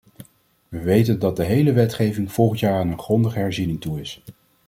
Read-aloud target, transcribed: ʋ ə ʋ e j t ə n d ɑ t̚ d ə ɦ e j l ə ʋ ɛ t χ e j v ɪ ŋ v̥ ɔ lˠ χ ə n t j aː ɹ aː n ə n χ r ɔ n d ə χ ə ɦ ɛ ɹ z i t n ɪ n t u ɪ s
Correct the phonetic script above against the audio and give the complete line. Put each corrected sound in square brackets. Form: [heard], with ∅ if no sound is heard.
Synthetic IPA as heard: ʋ ə ʋ e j t ə n d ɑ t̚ d ə ɦ e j l ə ʋ ɛ t χ e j v ɪ ŋ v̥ ɔ lˠ χ ə n t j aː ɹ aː n ə n χ r ɔ n d ə χ ə ɦ ɛ ɹ z i [∅] n ɪ [ŋ] t u ɪ s